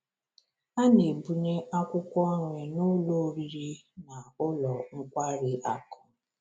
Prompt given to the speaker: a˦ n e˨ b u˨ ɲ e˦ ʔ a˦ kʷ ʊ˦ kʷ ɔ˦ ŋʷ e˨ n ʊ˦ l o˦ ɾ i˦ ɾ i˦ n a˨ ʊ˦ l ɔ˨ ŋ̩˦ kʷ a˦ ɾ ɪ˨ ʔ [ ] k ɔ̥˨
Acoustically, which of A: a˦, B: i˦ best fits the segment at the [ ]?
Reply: A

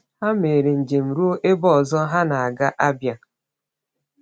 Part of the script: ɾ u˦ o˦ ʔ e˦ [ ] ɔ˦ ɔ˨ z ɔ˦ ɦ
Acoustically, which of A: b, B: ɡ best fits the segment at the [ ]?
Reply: A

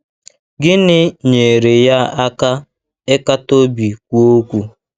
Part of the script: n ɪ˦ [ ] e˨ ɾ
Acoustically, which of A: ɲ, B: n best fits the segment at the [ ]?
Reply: A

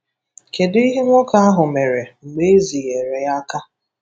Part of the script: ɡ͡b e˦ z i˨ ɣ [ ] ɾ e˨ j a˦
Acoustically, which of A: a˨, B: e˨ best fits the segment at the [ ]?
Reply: B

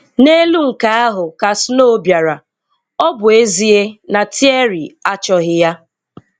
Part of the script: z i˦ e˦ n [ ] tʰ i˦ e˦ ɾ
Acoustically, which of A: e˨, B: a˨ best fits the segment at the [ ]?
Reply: B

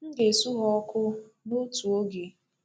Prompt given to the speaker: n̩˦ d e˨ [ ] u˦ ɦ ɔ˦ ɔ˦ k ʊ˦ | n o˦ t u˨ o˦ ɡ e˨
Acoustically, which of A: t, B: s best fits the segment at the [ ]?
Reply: B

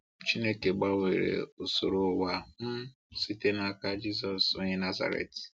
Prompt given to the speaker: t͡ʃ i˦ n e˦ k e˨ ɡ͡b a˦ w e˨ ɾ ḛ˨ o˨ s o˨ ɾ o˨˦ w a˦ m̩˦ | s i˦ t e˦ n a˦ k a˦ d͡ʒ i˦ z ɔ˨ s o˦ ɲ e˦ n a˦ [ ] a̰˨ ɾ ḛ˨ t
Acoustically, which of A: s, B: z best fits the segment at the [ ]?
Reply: B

